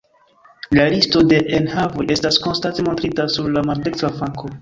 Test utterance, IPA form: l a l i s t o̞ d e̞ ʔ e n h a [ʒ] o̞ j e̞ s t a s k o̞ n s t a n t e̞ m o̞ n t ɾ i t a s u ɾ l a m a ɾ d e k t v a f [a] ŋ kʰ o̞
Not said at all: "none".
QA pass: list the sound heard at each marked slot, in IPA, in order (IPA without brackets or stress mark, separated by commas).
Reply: v, a